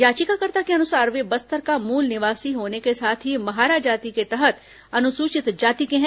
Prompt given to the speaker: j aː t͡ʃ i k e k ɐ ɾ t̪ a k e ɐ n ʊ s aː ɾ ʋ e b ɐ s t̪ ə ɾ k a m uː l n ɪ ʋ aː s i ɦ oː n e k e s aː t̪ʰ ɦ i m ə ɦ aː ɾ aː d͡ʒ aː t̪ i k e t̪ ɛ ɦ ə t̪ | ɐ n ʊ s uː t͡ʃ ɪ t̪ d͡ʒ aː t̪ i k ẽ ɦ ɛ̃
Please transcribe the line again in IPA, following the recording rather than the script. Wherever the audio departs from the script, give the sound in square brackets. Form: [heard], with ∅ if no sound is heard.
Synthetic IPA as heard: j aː t͡ʃ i k [a] k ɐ ɾ t̪ a k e ɐ n ʊ s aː ɾ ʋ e b ɐ s t̪ ə ɾ k a m uː l n ɪ ʋ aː s i ɦ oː n e k e s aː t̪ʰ ɦ i m [ɐ] ɦ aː ɾ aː d͡ʒ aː t̪ i k e t̪ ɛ ɦ ə t̪ | ɐ n ʊ s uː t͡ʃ ɪ t̪ d͡ʒ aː t̪ i k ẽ ɦ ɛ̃